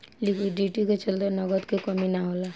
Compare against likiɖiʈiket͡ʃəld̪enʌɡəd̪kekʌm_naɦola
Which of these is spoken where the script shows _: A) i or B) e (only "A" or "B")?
A